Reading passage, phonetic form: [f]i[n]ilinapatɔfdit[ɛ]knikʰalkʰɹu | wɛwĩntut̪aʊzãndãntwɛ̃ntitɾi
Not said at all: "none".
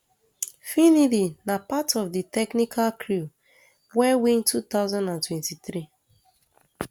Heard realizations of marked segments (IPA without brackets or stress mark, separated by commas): f, n, ɛ